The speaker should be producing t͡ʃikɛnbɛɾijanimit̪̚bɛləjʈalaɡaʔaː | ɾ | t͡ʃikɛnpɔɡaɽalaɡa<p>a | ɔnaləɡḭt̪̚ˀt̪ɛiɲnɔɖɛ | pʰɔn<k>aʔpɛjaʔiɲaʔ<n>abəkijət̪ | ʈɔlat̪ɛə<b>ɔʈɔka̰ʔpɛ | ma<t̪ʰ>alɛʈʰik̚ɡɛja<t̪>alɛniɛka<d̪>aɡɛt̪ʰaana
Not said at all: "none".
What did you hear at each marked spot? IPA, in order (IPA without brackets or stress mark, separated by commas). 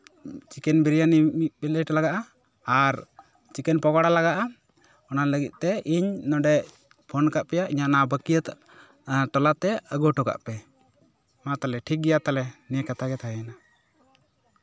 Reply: ʔ, k, n, ɡ, t̪, t̪, t̪